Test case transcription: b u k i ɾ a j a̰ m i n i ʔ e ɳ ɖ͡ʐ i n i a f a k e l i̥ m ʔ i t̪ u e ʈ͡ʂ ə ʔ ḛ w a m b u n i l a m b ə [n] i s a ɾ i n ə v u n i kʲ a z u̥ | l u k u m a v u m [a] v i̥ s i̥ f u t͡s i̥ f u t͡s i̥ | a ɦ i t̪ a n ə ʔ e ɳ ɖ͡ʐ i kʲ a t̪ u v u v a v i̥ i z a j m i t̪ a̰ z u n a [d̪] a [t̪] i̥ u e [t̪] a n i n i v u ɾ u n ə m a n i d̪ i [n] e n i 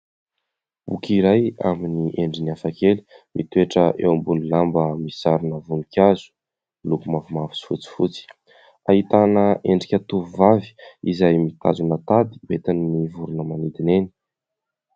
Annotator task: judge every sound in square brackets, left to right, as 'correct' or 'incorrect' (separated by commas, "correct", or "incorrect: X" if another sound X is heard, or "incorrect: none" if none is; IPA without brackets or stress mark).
incorrect: m, correct, incorrect: t̪, incorrect: d̪, correct, correct